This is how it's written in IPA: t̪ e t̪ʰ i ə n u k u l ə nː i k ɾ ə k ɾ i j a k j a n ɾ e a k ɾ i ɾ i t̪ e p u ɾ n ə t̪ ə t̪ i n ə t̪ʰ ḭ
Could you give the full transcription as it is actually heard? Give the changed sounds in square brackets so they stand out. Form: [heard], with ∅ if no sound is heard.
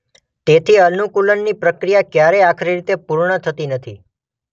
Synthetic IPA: t̪ e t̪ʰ i ə n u k u l ə nː i [p] ɾ ə k ɾ i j a k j a [∅] ɾ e a [kʰ] ɾ i ɾ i t̪ e p u ɾ [ɳ] ə [t̪ʰ] ə t̪ i n ə t̪ʰ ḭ